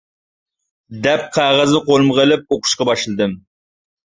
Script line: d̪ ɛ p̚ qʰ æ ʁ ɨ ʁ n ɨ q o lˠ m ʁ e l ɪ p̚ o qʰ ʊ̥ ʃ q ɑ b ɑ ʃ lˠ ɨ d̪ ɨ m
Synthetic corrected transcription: d̪ ɛ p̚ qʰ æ ʁ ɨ z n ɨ q o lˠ m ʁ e l ɪ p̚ o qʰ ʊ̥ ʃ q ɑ b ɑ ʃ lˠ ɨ d̪ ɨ m